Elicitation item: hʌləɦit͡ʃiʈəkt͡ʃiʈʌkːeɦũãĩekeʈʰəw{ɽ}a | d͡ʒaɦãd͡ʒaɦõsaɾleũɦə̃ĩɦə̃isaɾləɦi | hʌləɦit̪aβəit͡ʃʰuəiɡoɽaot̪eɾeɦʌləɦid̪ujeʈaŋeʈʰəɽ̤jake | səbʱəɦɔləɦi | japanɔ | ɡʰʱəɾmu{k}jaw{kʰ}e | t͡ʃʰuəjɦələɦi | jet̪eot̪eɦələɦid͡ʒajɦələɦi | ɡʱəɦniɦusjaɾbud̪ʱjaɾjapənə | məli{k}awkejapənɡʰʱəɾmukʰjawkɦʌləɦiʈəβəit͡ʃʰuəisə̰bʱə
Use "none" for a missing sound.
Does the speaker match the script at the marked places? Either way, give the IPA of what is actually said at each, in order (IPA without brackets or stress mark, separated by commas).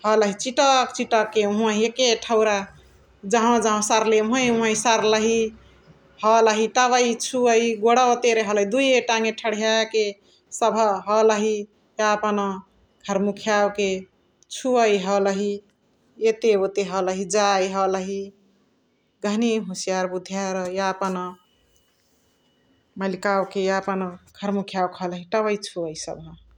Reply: ɾ, kʰ, k, k